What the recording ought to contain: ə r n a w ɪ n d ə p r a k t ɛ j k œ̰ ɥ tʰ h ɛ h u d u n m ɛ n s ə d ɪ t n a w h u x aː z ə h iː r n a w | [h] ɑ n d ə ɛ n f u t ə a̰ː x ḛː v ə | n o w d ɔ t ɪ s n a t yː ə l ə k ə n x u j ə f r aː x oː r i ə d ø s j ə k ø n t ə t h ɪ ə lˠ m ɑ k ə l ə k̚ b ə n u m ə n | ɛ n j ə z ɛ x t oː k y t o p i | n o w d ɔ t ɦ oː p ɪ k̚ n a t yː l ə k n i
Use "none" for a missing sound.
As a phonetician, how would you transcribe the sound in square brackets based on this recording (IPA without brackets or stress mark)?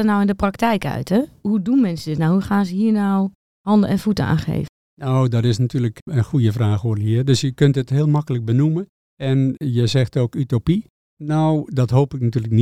h